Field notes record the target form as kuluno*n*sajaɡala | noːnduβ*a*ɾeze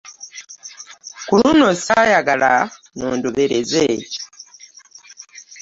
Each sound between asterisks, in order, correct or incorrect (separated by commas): incorrect, incorrect